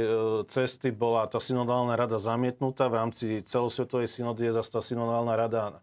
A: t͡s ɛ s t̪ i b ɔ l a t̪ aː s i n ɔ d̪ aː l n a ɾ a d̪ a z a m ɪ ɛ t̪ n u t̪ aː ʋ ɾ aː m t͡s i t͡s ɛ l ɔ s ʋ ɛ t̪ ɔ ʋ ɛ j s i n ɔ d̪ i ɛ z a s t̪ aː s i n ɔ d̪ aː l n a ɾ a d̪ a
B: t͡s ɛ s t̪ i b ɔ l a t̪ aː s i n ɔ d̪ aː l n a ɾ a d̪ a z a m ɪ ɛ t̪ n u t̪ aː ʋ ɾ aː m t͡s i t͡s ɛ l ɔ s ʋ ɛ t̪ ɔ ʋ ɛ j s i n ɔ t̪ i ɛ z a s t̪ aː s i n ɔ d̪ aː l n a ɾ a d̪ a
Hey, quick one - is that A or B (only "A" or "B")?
A